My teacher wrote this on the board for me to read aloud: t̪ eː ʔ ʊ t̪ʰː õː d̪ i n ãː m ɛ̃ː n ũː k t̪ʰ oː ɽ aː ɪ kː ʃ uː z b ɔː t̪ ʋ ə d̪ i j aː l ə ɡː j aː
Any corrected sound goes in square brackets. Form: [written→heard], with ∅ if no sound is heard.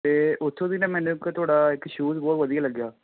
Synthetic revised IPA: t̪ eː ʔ ʊ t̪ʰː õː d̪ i n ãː m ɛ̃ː n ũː k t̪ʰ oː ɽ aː ɪ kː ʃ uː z b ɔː t̪ ʋ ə d̪ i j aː l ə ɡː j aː